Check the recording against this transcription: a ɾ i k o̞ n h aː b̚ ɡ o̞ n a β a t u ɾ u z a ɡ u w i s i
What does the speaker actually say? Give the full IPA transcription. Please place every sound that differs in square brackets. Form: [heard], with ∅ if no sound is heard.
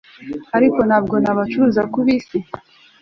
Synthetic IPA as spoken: a ɾ i k o̞ n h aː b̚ ɡ o̞ n a β a [t͡ʃ] u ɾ u z a [k] u [β] i s i